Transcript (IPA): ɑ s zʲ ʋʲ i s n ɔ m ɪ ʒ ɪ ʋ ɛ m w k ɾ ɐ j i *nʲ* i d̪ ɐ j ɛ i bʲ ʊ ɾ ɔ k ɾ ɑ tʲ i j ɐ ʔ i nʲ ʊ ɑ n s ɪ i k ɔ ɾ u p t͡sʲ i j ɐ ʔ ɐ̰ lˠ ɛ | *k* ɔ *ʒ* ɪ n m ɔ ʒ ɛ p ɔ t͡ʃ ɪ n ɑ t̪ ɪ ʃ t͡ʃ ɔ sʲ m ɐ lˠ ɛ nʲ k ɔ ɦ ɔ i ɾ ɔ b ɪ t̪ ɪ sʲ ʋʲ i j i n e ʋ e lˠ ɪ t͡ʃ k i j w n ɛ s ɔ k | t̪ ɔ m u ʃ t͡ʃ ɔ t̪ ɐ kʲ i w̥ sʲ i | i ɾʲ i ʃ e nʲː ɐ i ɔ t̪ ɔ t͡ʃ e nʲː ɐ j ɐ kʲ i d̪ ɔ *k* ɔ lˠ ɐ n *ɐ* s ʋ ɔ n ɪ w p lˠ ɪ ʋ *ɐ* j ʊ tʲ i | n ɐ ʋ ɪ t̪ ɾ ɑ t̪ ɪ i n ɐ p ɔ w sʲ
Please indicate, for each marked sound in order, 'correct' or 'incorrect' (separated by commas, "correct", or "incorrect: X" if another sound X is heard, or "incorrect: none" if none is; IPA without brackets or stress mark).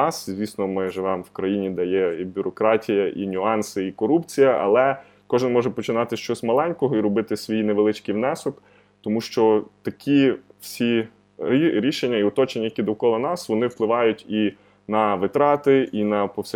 correct, correct, correct, correct, incorrect: ɑ, incorrect: ɑ